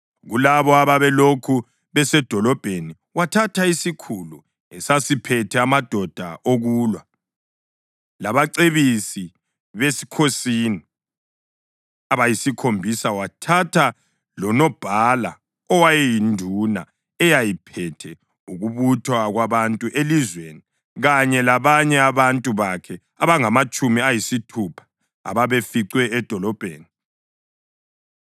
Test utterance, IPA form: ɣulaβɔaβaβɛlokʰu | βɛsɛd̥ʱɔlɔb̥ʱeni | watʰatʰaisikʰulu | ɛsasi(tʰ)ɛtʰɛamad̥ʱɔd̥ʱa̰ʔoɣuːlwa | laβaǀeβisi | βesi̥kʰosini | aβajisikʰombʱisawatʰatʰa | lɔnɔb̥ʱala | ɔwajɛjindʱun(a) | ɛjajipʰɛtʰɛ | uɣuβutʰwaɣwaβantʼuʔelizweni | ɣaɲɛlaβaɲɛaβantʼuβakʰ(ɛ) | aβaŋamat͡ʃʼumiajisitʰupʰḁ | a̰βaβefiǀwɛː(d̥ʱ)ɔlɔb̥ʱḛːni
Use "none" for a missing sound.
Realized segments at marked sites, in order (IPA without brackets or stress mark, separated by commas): pʰ, a, ɛ, d̥ʱ